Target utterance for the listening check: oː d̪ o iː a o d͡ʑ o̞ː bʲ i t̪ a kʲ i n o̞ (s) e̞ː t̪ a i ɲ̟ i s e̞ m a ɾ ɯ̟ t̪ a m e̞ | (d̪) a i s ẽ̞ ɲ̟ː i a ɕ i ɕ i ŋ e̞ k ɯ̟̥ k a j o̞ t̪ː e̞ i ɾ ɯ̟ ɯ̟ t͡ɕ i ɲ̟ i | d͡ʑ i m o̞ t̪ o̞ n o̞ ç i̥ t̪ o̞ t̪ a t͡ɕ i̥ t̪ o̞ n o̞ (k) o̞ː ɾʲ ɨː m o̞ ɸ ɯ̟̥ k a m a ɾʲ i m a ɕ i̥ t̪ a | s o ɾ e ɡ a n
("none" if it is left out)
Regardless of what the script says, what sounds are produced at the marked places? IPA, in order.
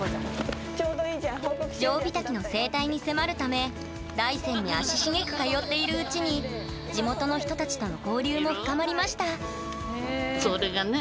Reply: s, d̪, k

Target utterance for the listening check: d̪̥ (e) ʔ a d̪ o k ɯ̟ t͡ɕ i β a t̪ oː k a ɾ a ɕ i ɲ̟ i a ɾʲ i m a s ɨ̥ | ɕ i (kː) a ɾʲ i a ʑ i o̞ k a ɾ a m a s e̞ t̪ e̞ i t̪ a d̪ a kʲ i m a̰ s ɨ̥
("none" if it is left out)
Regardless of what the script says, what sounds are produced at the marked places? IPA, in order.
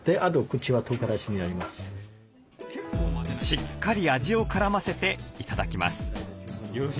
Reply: e, kː

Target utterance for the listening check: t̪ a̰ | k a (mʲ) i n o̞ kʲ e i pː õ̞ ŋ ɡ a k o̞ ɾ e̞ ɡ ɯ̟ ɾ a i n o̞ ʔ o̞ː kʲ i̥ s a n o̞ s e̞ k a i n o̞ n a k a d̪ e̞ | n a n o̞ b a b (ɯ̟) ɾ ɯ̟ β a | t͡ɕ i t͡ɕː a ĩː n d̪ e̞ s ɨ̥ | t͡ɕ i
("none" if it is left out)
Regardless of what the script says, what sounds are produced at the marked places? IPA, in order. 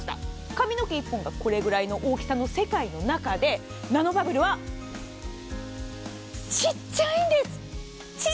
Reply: mʲ, ɯ̟

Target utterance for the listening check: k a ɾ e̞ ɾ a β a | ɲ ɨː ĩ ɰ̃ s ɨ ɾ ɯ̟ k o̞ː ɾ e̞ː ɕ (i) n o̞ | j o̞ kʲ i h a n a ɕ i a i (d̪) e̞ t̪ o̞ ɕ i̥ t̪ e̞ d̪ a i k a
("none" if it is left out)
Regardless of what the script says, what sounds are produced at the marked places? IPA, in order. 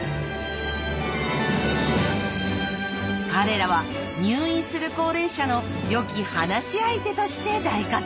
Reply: a, t̪

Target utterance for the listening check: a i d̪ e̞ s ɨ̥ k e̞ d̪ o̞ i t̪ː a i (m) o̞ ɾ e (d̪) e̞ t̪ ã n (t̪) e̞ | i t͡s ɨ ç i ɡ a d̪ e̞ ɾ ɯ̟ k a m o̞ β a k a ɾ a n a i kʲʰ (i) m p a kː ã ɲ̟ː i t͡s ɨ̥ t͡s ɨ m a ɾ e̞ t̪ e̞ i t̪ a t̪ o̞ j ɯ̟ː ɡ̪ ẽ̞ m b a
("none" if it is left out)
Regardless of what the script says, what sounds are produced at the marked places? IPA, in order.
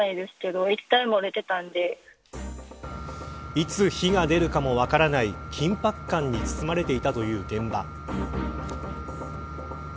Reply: m, t̪, d̪, ĩ

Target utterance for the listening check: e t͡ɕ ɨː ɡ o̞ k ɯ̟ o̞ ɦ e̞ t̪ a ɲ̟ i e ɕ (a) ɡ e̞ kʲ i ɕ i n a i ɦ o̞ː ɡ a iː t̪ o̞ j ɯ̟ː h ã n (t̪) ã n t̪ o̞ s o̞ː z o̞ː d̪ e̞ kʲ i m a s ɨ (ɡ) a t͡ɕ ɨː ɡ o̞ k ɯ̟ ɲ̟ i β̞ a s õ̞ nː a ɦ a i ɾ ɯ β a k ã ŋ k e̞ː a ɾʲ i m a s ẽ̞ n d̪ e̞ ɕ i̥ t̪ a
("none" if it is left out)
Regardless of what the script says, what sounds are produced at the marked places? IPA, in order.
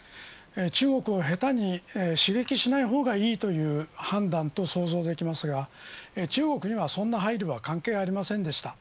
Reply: i, d̪, ɡ

